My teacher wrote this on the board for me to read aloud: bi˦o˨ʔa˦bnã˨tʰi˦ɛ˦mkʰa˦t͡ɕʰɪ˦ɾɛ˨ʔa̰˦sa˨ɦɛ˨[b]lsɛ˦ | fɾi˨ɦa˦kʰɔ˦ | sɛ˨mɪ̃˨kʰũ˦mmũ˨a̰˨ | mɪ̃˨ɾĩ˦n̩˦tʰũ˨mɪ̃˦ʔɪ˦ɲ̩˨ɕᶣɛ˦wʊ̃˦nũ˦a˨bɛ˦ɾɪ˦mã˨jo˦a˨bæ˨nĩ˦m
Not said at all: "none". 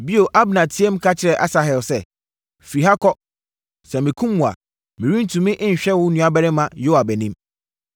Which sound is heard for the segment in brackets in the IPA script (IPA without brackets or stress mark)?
none